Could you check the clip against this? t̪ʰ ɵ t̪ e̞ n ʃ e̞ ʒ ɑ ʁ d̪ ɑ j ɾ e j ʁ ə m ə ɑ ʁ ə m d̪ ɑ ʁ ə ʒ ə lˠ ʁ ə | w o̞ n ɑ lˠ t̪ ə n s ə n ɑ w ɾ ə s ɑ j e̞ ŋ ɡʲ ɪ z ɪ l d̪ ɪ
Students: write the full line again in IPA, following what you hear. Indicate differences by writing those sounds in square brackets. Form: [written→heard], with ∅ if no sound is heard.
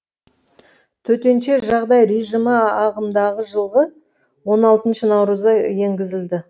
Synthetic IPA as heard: t̪ʰ ɵ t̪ e̞ n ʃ e̞ ʒ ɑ ʁ d̪ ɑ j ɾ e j [ʁ→ʒ] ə m ə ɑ ʁ ə m d̪ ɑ ʁ ə ʒ ə lˠ ʁ ə | w o̞ n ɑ lˠ t̪ ə n [s→ʃ] ə n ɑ w ɾ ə [s→z] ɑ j e̞ ŋ ɡʲ ɪ z ɪ l d̪ ɪ